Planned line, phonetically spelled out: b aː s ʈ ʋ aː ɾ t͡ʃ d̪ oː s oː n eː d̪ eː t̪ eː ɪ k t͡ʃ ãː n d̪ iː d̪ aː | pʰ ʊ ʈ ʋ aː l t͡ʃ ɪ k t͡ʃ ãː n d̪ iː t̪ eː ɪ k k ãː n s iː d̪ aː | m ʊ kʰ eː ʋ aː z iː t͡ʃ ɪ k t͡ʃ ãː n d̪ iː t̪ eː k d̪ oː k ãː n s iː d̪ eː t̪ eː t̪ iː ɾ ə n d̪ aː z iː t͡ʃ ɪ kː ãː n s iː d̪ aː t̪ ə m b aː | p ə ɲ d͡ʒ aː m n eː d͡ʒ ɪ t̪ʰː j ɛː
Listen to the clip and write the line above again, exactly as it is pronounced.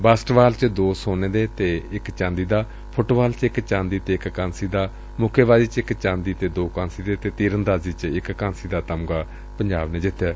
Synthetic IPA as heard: b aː s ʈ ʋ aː l t͡ʃ d̪ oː s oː n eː d̪ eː t̪ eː ɪ k t͡ʃ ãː n d̪ iː d̪ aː | pʰ ʊ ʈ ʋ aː l t͡ʃ ɪ k t͡ʃ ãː n d̪ iː t̪ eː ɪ k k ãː n s iː d̪ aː | m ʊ kʰ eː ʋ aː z iː t͡ʃ ɪ k t͡ʃ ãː n d̪ iː t̪ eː d̪ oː k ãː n s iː d̪ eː t̪ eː t̪ iː ɾ ə n d̪ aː z iː t͡ʃ ɪ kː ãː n s iː d̪ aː t̪ ə m ɡ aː | p ə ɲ d͡ʒ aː b n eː d͡ʒ ɪ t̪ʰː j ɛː